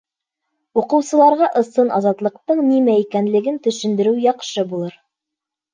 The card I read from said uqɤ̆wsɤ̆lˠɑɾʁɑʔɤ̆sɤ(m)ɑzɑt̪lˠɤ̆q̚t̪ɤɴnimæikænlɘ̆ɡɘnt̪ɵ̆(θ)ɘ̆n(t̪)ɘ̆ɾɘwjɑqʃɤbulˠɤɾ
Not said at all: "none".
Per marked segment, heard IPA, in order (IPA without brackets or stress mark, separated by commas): n, ʃ, d̪